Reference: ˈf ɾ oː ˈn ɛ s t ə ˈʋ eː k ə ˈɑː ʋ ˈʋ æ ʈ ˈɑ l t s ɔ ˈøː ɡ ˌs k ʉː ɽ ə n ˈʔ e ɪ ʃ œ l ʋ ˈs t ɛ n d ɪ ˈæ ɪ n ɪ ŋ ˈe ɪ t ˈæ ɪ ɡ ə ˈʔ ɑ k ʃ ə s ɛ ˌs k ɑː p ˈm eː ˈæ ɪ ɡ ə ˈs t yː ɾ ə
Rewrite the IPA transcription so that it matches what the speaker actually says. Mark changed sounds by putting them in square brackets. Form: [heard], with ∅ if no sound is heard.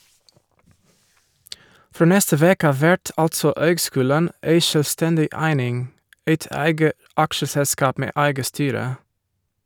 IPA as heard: ˈf ɾ oː ˈn ɛ s t ə ˈʋ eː k ə ˈɑː ʋ ˈʋ æ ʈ ˈɑ l t s ɔ ˈøː ɡ ˌs k ʉː [l] ə n ˈʔ e ɪ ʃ œ l ʋ ˈs t ɛ n d ɪ ˈæ ɪ n ɪ ŋ ˈe ɪ t ˈæ ɪ ɡ ə ˈʔ ɑ k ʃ ə s ɛ ˌs k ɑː p ˈm eː ˈæ ɪ ɡ ə ˈs t yː ɾ ə